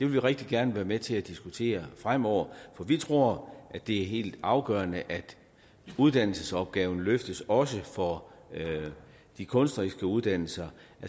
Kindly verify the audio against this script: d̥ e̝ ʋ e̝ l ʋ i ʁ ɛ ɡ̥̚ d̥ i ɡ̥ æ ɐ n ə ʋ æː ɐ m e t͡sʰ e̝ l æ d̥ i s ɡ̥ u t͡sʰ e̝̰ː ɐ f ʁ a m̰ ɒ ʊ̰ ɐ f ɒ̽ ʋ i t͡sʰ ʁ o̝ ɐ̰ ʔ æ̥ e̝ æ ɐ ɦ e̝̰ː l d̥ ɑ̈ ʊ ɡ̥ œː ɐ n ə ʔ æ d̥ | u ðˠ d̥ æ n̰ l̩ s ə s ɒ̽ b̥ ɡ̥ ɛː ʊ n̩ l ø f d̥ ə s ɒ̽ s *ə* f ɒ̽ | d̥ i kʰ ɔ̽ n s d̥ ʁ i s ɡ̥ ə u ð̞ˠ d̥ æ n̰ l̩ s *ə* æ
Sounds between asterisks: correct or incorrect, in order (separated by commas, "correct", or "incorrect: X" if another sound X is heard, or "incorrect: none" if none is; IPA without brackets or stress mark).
correct, incorrect: ɐ